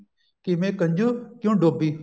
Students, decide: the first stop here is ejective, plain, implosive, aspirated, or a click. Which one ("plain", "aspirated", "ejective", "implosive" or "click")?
plain